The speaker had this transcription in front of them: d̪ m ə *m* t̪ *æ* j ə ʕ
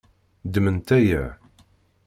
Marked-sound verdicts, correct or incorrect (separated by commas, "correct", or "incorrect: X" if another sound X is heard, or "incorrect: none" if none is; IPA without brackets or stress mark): incorrect: n, correct